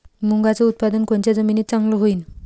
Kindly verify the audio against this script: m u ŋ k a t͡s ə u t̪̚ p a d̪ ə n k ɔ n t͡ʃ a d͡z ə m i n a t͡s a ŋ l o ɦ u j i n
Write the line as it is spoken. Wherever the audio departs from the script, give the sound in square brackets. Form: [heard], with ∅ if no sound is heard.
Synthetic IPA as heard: m u ŋ [ɡ] a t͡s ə u t̪̚ p a d̪ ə n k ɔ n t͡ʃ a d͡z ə m i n [i] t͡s a ŋ l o ɦ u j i n

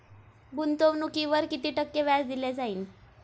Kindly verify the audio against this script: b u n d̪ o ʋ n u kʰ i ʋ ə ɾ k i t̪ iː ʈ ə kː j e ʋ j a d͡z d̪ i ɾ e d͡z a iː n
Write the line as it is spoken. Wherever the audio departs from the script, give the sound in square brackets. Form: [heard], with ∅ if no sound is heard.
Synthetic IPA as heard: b u n [t̪] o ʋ n u [k] i ʋ ə ɾ k i t̪ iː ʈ ə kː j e ʋ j a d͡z d̪ i [l] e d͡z a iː n

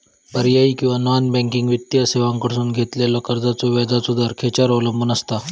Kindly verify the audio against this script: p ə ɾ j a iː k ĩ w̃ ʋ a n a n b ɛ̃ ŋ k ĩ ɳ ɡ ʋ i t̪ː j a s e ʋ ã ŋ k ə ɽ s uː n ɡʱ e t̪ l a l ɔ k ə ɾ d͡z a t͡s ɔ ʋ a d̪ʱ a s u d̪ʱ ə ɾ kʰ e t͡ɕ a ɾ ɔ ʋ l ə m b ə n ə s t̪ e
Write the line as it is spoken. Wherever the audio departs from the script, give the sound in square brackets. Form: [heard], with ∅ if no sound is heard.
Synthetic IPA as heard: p ə ɾ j a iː k ĩ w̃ ʋ a n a n b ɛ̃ ŋ k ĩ [ŋ] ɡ ʋ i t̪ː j a s e ʋ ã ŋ k ə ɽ s uː n ɡʱ e t̪ l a l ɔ k ə ɾ d͡z a t͡s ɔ ʋ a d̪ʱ a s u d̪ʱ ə ɾ kʰ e t͡ɕ a ɾ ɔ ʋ l ə m b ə n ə s t̪ [a]

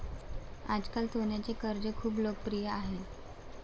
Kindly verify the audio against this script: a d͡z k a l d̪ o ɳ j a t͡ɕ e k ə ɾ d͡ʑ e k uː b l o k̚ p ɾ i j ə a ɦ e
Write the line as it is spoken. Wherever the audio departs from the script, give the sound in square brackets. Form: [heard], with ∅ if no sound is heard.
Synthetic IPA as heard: a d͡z k a l [t̪] o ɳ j a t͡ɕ e k ə ɾ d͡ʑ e [kʰ] uː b l o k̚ p ɾ i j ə a ɦ e

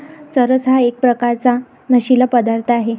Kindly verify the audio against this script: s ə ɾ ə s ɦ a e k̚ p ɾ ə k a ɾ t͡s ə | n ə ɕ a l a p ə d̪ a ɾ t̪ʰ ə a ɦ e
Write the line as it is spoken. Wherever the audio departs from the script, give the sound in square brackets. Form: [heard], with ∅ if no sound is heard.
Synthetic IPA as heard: s ə ɾ ə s ɦ a e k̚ p ɾ ə k a ɾ t͡s [a] | n ə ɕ [i] l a p ə d̪ a ɾ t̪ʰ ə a ɦ e

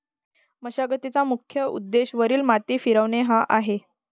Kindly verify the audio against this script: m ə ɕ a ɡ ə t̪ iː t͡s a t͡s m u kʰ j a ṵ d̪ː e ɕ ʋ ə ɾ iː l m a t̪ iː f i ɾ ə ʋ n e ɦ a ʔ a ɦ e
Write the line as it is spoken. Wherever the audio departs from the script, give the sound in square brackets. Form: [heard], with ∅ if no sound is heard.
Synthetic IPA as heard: m ə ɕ a ɡ ə t̪ [i] t͡s a [∅] m u kʰ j [ə] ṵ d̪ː e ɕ ʋ ə ɾ iː l m a t̪ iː f i ɾ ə ʋ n e ɦ a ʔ a ɦ e

